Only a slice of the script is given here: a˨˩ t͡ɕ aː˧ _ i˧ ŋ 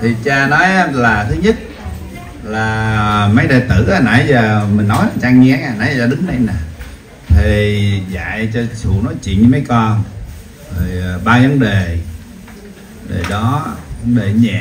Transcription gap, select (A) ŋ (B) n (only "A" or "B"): A